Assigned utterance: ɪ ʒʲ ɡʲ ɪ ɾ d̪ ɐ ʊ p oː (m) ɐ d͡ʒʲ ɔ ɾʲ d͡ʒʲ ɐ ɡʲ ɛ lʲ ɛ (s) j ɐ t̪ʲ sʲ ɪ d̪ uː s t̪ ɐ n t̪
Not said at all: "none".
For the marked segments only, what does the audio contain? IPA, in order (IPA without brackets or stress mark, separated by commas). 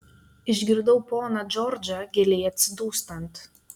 n, none